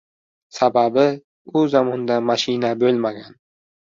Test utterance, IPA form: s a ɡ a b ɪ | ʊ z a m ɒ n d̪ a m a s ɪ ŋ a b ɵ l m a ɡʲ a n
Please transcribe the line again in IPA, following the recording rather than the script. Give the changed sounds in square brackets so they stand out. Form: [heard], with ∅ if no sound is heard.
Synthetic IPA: s a [b] a b ɪ | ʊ z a m ɒ n d̪ a m a [ʃ] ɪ [n] a b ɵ l m a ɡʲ a n